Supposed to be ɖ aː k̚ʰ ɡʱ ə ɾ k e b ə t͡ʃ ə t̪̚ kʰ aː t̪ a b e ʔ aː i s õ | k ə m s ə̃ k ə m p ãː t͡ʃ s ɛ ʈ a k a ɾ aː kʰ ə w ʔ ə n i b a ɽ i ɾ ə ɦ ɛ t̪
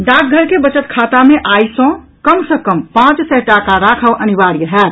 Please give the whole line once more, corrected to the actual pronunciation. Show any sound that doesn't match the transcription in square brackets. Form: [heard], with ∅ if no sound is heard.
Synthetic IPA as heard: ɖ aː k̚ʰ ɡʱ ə ɾ k e b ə t͡ʃ ə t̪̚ kʰ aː t̪ a [m] e ʔ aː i s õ | k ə m s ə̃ k ə m p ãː t͡ʃ s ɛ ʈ a k a ɾ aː kʰ ə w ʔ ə n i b a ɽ i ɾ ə ɦ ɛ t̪